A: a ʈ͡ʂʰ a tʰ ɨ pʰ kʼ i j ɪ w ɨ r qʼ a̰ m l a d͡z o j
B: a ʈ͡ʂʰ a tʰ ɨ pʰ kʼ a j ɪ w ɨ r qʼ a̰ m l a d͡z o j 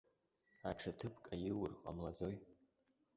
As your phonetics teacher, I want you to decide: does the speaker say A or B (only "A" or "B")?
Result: B